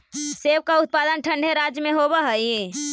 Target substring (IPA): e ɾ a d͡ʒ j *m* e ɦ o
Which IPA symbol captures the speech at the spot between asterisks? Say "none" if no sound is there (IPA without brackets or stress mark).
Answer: m